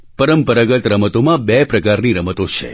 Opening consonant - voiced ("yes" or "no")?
no